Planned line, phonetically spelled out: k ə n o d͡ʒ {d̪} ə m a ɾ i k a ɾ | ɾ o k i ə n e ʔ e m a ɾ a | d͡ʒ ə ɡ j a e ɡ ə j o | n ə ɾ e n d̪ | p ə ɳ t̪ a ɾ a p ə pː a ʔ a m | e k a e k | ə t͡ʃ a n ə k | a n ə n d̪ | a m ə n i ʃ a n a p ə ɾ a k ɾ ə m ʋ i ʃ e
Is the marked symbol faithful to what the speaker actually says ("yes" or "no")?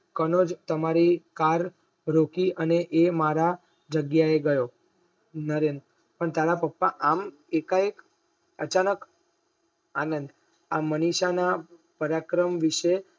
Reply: no